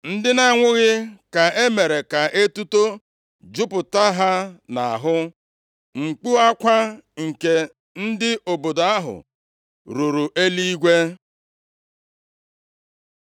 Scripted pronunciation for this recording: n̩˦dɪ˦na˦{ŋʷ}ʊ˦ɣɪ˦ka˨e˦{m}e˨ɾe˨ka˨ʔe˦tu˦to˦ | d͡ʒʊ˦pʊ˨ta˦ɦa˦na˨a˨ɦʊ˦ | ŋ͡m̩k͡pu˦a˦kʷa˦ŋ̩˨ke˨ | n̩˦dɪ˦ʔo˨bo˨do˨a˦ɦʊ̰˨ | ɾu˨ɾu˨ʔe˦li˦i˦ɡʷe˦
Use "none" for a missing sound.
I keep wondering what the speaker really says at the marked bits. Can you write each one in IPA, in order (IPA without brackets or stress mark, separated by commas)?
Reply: ŋʷ, m